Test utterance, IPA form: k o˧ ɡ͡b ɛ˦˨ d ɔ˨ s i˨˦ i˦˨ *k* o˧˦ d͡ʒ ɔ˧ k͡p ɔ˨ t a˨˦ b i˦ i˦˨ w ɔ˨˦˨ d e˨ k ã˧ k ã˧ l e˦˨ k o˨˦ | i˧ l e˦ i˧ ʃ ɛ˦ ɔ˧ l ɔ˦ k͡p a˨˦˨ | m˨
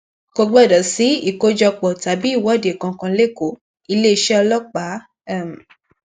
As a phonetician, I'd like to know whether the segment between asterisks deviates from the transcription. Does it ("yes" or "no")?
no